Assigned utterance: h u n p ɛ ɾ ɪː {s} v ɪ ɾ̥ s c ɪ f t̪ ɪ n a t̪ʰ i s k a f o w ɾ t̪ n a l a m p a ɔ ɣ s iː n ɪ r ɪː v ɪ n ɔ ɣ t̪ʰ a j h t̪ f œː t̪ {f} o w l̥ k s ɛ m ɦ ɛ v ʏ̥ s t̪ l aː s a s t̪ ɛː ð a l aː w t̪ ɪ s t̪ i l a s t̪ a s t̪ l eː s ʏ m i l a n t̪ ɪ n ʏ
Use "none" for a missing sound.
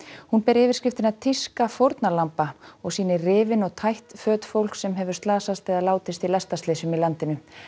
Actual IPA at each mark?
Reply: none, f

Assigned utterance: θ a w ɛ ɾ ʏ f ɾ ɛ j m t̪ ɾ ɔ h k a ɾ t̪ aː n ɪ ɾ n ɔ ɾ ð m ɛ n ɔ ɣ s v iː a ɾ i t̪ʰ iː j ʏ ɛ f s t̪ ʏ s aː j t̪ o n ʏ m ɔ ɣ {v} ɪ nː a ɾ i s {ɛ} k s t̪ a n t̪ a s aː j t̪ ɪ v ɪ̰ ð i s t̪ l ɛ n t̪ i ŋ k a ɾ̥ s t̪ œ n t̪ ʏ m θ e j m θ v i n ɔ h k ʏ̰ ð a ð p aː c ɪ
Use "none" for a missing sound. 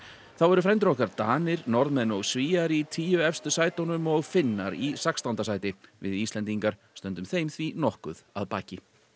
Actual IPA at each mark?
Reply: f, a

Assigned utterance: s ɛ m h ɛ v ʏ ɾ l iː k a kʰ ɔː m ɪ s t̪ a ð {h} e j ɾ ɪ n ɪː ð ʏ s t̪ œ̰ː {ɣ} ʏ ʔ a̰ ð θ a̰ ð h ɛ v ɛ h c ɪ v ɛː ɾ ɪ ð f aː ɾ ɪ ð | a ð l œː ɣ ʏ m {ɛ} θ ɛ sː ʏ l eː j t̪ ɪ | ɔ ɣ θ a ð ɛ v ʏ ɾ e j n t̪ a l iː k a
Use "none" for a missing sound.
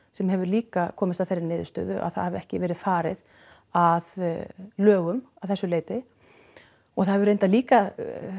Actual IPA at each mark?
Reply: θ, ð, a

